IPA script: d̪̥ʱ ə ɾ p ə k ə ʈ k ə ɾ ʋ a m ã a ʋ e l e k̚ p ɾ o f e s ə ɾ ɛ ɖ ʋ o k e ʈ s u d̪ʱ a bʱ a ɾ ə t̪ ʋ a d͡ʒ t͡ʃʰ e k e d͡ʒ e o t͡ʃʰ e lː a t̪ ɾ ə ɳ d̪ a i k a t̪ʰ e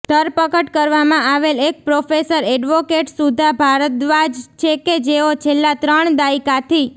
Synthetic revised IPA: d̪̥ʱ ə ɾ p ə k ə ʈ k ə ɾ ʋ a m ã a ʋ e l e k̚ p ɾ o f e s ə ɾ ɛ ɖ ʋ o k e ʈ s u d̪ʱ a bʱ a ɾ ə t̪ ʋ a d͡ʒ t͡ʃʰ e k e d͡ʒ e o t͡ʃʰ e lː a t̪ ɾ ə ɳ d̪ a i k a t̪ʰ i